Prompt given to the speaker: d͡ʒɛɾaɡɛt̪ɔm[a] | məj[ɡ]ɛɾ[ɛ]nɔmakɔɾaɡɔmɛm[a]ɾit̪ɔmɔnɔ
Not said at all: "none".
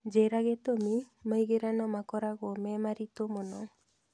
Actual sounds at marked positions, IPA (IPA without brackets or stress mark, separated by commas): i, ɡ, a, a